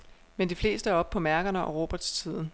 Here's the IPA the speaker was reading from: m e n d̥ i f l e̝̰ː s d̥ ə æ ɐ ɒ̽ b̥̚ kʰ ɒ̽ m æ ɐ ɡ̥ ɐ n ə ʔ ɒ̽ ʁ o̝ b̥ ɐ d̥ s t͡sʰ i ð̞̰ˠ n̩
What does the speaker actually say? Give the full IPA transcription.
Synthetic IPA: m e n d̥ i f l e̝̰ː s d̥ ə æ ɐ ɒ̽ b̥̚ pʰ ɒ̽ m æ ɐ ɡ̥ ɐ n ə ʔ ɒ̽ ʁ o̝ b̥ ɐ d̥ s t͡sʰ i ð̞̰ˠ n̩

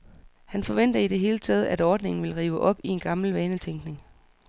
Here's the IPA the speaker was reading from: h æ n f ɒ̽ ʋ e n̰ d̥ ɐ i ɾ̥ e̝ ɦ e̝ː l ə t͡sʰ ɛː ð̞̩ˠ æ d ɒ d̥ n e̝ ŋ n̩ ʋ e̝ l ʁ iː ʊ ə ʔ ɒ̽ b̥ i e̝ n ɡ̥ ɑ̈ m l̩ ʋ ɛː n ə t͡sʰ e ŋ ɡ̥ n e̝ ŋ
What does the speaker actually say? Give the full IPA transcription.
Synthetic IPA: h æ n f ɒ̽ ʋ e n̰ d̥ ɐ i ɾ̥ e̝ ɦ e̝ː l ə t͡sʰ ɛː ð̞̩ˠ æ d ɒː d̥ n e̝ ŋ n̩ ʋ e̝ l ʁ iː ʊ ə ʔ ɒ̽ b̥ i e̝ n ɡ̥ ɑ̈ m l̩ ʋ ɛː n ə t͡sʰ e ŋ ɡ̥ n e̝ ŋ

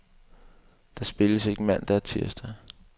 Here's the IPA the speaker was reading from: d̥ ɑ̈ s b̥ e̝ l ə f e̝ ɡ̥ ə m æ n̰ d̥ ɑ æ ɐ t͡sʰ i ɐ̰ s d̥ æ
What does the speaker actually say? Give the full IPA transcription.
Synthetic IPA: d̥ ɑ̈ s b̥ e̝ l ə s e̝ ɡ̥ ə m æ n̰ d̥ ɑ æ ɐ t͡sʰ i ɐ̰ s d̥ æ

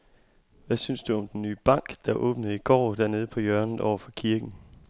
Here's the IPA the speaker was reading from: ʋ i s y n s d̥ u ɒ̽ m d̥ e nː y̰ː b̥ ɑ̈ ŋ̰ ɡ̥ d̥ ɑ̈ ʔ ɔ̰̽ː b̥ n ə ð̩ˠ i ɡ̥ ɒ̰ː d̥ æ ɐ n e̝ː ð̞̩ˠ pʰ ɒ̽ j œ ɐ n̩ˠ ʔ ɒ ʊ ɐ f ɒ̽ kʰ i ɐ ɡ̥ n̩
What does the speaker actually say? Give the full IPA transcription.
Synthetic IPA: ʋ æ s y n s d̥ u ɒ̽ m d̥ e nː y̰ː b̥ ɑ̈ ŋ̰ ɡ̥ d̥ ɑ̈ ʔ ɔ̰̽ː b̥ n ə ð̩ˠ i ɡ̥ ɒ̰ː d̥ æ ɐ n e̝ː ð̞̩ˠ pʰ ɒ̽ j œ ɐ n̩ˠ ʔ ɒ ʊ ɐ f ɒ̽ kʰ i ɐ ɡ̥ n̩

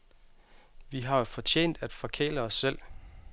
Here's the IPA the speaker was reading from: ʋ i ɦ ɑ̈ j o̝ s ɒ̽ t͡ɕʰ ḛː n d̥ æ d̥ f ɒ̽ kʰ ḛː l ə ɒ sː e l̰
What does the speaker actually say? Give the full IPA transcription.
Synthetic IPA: ʋ i ɦ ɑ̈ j o̝ f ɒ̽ t͡ɕʰ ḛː n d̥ æ d̥ f ɒ̽ kʰ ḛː l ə ɒ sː e l̰

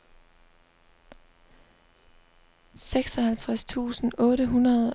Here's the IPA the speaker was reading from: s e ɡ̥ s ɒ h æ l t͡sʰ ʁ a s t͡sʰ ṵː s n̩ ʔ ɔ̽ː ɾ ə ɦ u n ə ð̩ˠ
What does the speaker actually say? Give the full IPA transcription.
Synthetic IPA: s e ɡ̥ s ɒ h æ l t͡sʰ ʁ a s t͡sʰ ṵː s n̩ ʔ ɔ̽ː ɾ ə ɦ u n ɐ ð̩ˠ

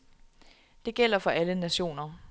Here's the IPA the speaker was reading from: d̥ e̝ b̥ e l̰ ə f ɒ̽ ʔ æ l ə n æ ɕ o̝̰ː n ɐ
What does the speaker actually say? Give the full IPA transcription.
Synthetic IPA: d̥ e̝ ɡ̥ e l̰ ɐ f ɒ̽ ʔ æ l ə n æ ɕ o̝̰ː n ɐ

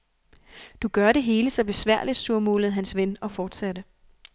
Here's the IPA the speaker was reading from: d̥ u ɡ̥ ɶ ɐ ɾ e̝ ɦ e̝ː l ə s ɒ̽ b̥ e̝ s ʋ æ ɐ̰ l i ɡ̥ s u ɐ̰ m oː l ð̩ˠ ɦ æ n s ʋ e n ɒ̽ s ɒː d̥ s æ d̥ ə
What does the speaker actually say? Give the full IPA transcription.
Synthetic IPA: d̥ u ɡ̥ ɶ ɐ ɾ e̝ ɦ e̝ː l ə s ɒ̽ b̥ e̝ s ʋ æ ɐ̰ l i d̥ s u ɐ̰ m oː l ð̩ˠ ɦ æ n s ʋ e n ɒ̽ f ɒː d̥ s æ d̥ ə

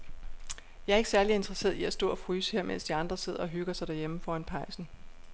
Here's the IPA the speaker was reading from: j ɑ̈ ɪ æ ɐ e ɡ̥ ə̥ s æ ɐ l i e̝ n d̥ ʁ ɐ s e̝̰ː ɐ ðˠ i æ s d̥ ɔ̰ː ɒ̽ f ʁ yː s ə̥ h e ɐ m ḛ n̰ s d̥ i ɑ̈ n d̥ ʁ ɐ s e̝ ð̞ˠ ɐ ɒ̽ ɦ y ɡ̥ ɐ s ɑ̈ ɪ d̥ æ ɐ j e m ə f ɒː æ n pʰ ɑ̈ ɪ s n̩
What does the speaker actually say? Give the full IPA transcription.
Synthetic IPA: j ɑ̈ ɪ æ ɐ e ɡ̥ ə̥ s æ ɐ l i e̝ n d̥ ʁ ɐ s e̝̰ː ɐ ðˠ i æ s d̥ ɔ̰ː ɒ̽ f ʁ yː s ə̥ h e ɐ m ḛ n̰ s d̥ i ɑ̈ n d̥ ʁ ɐ s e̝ ð̞ˠ ɐ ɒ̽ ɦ y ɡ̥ ɐ s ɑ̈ ɪ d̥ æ ɐ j e m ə f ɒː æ n pʰ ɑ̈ ɪ s n̩

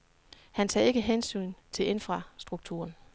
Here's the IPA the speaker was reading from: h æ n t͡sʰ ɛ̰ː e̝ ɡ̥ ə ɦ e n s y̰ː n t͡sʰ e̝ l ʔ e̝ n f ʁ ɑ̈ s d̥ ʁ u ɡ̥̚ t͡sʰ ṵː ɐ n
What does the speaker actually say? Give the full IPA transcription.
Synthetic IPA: h æ n t͡sʰ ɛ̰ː e̝ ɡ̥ ə ɦ e n s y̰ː n t͡sʰ e̝ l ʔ e̝ n f ʁ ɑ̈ s d̥ ʁ u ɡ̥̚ t͡sʰ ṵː ɐ n

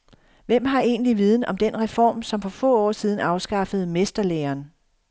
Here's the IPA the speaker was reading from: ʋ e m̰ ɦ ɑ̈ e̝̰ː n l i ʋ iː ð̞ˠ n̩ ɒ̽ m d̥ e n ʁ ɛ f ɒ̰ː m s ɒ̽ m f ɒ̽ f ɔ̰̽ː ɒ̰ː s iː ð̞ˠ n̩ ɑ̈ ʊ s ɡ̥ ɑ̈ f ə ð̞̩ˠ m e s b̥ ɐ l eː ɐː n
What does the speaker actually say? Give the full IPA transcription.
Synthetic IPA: ʋ e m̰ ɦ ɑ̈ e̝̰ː n l i ʋ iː ð̞ˠ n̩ ɒ̽ m d̥ e n ʁ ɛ f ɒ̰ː m s ɒ̽ m f ɒ̽ f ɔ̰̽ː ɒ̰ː s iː ð̞ˠ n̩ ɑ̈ ʊ s ɡ̥ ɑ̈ f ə ð̞̩ˠ m e s d̥ ɐ l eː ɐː n

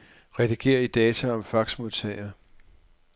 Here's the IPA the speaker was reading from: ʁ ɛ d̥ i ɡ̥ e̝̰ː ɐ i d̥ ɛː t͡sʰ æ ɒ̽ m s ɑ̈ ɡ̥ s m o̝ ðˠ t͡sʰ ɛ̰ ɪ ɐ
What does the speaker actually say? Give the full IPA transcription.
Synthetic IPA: ʁ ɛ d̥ i ɡ̥ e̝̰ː ɐ i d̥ ɛː t͡sʰ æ ɒ̽ m f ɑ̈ ɡ̥ s m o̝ ðˠ t͡sʰ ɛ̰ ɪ ɐ

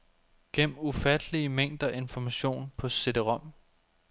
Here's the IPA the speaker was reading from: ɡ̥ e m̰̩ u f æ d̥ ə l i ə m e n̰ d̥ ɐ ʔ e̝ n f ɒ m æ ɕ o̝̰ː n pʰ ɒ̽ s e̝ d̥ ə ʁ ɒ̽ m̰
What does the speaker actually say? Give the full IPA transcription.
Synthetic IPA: ɡ̥ e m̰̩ u f æ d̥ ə l i ə m e ŋ̰ d̥ ɐ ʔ e̝ n f ɒ m æ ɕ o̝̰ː n pʰ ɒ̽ s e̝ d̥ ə ʁ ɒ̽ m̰

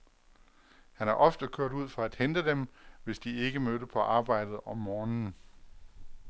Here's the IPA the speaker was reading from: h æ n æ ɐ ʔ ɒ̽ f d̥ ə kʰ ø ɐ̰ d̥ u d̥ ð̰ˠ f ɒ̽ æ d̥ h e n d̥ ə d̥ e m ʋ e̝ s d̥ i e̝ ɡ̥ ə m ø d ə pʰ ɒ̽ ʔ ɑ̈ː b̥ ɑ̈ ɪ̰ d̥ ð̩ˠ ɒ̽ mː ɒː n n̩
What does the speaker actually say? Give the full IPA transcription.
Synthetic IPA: h æ n æ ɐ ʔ ɒ̽ f d̥ ə kʰ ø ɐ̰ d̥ u ð̰ˠ f ɒ̽ æ d̥ h e n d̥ ə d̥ e m ʋ e̝ s d̥ i e̝ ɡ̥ ə m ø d ə pʰ ɒ̽ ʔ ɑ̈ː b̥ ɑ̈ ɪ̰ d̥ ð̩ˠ ɒ̽ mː ɒː n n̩

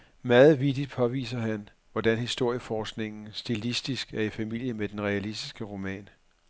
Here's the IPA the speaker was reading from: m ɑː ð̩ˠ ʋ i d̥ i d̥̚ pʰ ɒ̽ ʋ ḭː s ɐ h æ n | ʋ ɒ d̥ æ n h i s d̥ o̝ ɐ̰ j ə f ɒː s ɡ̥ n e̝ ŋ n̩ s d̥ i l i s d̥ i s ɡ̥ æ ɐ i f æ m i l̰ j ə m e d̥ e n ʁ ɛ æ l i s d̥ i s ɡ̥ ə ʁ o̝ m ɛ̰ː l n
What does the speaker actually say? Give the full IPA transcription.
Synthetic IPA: m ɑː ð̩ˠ ʋ i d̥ i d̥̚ pʰ ɒ̽ ʋ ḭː s ɐ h æ n | ʋ ɒ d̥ æ n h i s d̥ o̝ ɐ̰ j ə f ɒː s ɡ̥ n e̝ ŋ n̩ s d̥ i l i s d̥ i s ɡ̥ æ ɐ i f æ m i l̰ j ə m e d̥ e n ʁ ɛ æ l i s d̥ i s ɡ̥ ə ʁ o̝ m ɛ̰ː n

